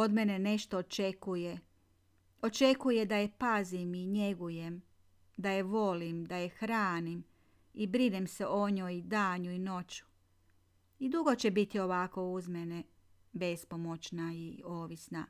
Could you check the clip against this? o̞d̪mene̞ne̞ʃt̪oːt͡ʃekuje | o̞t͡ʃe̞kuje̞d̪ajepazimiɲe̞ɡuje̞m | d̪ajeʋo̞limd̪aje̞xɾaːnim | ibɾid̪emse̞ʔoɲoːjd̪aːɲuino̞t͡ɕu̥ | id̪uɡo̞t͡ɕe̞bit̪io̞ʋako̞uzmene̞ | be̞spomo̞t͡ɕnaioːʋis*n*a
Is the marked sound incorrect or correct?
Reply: correct